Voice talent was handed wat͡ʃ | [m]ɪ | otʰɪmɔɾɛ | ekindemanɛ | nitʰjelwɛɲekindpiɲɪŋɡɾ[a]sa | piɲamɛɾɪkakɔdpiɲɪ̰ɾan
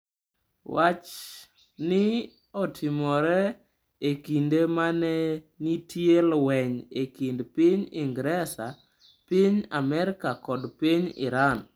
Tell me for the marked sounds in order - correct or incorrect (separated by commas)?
incorrect, incorrect